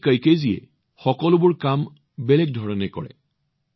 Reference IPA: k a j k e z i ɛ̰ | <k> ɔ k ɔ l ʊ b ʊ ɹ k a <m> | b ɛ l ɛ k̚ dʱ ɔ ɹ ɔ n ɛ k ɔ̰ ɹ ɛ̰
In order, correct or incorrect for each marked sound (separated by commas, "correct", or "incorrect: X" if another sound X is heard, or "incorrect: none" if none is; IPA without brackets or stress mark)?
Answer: incorrect: x, correct